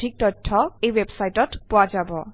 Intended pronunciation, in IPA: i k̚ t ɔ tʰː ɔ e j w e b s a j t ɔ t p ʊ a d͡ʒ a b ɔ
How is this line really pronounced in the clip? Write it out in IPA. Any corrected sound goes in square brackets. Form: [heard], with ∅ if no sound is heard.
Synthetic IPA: i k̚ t ɔ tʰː ɔ e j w e b s a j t ɔ t p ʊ a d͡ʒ a b ɔ